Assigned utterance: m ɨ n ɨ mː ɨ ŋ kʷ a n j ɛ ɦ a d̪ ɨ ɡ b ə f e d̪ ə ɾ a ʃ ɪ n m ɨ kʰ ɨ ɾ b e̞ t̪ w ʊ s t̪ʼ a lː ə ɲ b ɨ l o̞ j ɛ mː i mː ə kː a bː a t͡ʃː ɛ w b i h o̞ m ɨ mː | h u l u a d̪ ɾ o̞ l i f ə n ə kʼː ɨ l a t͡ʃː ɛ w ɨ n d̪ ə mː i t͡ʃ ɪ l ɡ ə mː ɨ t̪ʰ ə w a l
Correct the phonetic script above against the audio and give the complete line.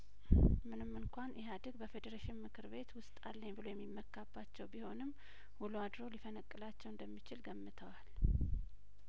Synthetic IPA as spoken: m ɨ n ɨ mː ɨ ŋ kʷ a n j ɛ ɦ a d̪ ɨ ɡ b ə f e d̪ ə ɾ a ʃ ɪ n m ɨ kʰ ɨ ɾ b e̞ t̪ w ʊ s t̪ʼ a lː ə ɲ b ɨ l o̞ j ɛ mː i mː ə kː a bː a t͡ʃː ɛ w b i h o̞ n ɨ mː | h u l u a d̪ ɾ o̞ l i f ə n ə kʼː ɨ l a t͡ʃː ɛ w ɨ n d̪ ə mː i t͡ʃ ɪ l ɡ ə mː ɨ t̪ʰ ə w a l